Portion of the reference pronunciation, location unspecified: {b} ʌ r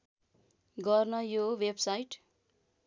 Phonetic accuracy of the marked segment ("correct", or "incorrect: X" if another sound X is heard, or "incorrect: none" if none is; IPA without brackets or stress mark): incorrect: ɡ